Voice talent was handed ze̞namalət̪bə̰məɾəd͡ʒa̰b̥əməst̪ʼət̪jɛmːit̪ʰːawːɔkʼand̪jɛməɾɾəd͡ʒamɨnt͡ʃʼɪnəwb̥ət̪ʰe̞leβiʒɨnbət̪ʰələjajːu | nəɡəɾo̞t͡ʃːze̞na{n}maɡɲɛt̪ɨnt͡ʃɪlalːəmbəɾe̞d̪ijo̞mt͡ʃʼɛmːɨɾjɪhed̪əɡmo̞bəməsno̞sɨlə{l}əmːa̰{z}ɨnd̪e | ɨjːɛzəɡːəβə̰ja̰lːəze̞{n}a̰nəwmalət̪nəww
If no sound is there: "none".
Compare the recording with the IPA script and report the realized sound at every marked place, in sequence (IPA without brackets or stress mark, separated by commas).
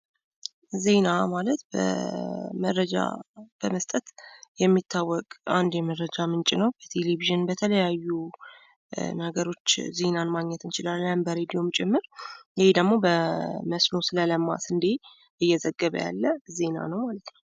n, l, s, n